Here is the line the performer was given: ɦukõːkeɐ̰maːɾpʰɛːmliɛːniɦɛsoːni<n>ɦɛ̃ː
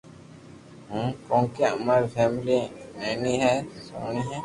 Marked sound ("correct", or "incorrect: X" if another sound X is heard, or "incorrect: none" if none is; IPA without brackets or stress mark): incorrect: none